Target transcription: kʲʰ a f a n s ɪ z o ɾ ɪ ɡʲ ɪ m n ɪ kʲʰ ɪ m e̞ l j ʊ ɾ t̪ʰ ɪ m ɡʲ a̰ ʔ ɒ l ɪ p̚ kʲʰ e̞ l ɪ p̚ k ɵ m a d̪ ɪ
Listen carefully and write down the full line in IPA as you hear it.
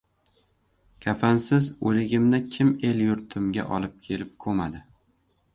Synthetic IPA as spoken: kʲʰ a f a n s ɪ z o l ɪ ɡʲ ɪ m n ɪ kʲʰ ɪ m e̞ l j ʊ ɾ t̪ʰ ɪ m ɡʲ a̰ ʔ ɒ l ɪ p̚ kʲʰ e̞ l ɪ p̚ kʰ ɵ m a d̪ ɪ